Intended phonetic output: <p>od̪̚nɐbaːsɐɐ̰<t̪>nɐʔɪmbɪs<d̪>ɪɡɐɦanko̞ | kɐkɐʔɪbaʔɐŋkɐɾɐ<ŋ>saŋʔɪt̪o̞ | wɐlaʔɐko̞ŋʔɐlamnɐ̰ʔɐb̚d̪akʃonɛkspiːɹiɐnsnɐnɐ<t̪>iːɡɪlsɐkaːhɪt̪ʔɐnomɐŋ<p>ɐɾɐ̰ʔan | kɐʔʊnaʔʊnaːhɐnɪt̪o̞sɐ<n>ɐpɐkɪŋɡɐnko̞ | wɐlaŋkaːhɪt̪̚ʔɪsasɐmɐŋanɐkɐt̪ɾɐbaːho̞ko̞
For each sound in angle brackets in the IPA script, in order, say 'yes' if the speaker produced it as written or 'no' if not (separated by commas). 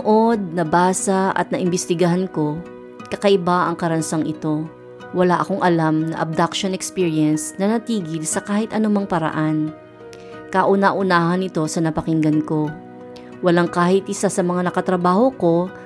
no, yes, no, no, yes, yes, yes